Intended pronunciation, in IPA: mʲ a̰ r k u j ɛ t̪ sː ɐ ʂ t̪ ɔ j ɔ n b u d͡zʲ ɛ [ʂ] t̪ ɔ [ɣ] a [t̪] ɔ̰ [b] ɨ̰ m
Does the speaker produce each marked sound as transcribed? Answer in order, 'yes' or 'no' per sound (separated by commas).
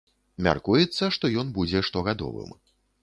yes, yes, no, no